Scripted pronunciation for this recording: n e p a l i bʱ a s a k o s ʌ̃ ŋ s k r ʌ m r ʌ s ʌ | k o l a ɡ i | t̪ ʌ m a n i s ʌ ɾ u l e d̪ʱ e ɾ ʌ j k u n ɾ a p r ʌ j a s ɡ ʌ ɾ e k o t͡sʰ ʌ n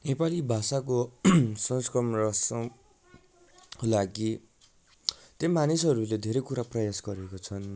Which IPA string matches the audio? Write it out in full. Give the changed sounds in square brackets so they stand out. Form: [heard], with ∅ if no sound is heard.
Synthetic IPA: n e p a l i bʱ a s a k o s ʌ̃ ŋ s k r ʌ m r ʌ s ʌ | k o l a ɡ i | t̪ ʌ m a n i s ʌ ɾ u l e d̪ʱ e ɾ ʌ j k u [∅] ɾ a p r ʌ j a s ɡ ʌ ɾ e k o t͡sʰ ʌ n